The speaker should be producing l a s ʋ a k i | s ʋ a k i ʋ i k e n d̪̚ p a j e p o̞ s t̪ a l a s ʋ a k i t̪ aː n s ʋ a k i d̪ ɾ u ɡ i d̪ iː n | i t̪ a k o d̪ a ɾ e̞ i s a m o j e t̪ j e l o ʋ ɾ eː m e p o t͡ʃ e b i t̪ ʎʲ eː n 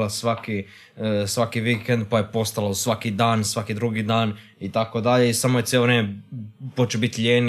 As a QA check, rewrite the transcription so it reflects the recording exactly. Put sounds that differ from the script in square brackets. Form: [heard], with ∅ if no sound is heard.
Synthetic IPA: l a s ʋ a k i | s ʋ a k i ʋ i k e n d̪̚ p a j e p o̞ s t̪ a l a s ʋ a k i [d̪] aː n s ʋ a k i d̪ ɾ u ɡ i d̪ [aː] n | i t̪ a k o d̪ a [ʎ] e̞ i s a m o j e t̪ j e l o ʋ ɾ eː m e p o t͡ʃ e b i t̪ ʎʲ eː n